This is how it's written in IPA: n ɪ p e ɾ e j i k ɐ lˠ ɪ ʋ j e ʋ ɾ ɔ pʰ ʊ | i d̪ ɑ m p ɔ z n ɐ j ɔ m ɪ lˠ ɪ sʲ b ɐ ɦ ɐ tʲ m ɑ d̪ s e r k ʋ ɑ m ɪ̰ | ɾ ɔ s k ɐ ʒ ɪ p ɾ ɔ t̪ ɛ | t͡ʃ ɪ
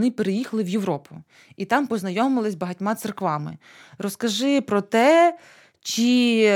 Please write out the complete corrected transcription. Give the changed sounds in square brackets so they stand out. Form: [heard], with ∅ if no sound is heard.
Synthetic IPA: n ɪ p e ɾ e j i [x] ɐ lˠ ɪ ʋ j e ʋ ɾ ɔ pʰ ʊ | i [t̪] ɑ m p ɔ z n ɐ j ɔ m ɪ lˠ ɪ sʲ b ɐ ɦ ɐ tʲ m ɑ [t̪] s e r k ʋ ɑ m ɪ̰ | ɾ ɔ s k ɐ ʒ ɪ p ɾ ɔ t̪ ɛ | t͡ʃ [i]